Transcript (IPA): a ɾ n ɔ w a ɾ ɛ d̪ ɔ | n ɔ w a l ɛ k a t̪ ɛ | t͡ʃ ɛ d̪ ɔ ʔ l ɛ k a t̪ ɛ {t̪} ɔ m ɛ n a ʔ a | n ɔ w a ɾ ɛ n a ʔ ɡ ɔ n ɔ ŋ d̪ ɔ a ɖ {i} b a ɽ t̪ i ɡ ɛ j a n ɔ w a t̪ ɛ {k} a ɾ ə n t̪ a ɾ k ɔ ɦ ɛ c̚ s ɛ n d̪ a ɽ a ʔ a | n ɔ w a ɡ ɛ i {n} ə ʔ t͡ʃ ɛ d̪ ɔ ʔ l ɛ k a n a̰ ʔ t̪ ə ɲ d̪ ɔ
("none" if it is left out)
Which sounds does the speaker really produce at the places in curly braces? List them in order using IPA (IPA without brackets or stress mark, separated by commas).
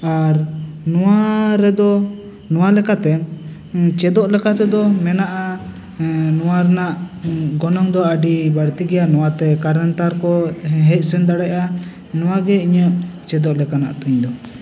d̪, i, k, ɲ